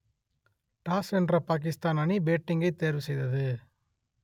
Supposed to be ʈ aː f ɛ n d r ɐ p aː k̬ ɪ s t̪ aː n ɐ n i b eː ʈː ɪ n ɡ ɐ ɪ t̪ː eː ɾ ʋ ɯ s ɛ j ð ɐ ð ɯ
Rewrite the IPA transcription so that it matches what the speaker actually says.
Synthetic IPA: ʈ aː s ɛ n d r ɐ p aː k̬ ɪ s t̪ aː n ɐ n i b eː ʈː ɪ ŋ ɡ ɐ ɪ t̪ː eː ɾ ʋ ɯ s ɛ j ð ɐ ð ɯ